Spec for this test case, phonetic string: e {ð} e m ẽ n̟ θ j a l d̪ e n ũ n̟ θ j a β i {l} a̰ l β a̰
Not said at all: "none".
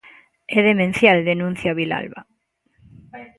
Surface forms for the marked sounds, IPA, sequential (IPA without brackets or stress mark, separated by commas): ð, l